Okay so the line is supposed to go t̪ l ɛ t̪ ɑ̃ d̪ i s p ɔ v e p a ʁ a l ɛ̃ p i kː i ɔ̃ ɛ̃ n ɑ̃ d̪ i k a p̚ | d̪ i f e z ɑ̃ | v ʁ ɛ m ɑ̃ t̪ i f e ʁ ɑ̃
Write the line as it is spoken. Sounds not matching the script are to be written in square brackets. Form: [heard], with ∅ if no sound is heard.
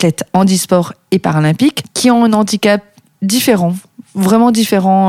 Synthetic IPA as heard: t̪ l ɛ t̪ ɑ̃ d̪ i s p ɔ [ʁ] e p a ʁ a l ɛ̃ p i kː i ɔ̃ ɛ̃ n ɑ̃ d̪ i k a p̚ | d̪ i f e [ʁ] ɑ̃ | v ʁ ɛ m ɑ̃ [d̪] i f e ʁ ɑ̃